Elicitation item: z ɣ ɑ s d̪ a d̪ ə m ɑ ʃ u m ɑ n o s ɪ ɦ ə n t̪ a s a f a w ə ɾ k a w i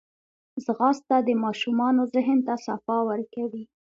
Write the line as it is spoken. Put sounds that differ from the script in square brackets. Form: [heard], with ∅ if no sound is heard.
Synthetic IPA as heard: z ɣ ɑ s [t̪] a d̪ ə m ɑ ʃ u m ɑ n o [z] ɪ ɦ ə n t̪ a s a f [ɑ] w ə ɾ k a w i